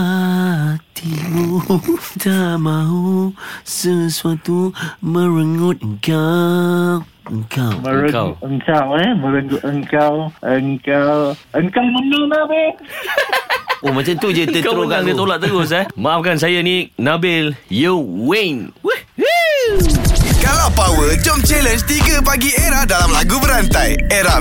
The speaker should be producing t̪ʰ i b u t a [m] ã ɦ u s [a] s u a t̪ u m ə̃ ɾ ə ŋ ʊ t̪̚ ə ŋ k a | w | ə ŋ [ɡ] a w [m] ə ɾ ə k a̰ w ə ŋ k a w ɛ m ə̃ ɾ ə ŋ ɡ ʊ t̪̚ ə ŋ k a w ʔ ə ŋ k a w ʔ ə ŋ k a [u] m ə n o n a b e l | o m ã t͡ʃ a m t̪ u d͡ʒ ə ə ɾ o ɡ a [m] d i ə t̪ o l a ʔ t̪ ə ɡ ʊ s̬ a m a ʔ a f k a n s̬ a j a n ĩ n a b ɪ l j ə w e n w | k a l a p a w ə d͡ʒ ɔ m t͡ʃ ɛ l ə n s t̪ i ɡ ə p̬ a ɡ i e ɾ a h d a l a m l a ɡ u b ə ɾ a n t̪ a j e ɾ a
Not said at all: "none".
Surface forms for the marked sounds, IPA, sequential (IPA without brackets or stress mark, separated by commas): m, ə, k, m, w, ŋ